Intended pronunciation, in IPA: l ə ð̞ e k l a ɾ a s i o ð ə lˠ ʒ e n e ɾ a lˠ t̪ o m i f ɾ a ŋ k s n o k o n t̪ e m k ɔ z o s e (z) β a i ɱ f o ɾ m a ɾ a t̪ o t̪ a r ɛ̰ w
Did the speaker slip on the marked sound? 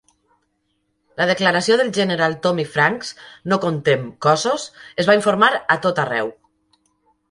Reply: no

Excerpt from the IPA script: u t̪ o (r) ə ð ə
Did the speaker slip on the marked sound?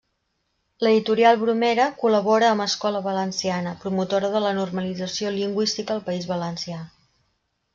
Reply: yes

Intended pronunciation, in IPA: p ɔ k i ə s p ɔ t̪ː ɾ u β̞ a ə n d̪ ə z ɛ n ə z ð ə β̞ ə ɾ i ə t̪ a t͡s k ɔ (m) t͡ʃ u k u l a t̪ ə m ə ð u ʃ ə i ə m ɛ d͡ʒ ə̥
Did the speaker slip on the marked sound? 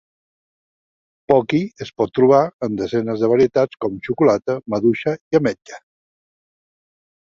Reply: no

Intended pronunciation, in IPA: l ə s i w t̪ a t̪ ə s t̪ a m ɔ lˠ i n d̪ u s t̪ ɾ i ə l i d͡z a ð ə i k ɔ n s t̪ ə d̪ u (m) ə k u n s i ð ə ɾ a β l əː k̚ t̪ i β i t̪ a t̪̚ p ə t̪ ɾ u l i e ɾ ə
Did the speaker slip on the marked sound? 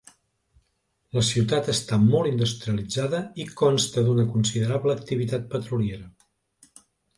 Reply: yes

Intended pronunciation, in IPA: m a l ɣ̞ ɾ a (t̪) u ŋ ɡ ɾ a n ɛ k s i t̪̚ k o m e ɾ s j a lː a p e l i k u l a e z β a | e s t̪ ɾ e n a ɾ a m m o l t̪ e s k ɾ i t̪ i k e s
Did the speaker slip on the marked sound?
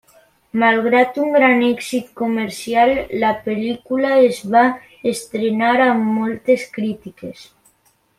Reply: no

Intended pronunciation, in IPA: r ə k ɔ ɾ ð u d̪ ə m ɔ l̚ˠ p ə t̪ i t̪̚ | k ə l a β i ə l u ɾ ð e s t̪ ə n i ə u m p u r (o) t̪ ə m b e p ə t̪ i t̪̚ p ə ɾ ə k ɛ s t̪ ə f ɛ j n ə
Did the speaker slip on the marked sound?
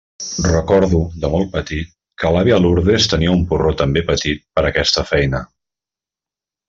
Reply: no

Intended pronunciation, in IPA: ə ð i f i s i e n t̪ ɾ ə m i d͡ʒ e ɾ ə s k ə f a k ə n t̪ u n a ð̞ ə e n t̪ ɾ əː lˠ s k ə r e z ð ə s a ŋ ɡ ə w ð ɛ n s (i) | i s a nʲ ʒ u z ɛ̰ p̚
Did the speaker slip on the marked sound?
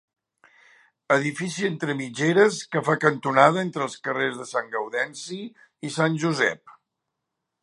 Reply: no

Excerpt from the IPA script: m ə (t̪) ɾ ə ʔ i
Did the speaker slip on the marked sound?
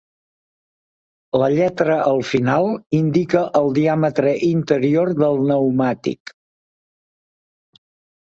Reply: no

